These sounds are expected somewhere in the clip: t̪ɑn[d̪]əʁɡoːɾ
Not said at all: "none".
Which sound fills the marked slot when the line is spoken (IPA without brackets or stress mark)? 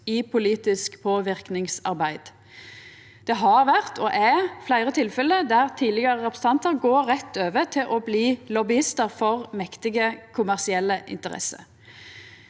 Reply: t̪